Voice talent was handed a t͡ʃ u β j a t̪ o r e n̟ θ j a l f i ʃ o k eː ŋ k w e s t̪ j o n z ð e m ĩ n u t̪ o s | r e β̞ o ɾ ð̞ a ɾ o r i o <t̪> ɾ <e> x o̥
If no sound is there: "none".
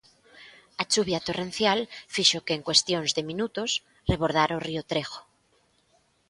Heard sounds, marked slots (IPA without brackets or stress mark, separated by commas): t̪, e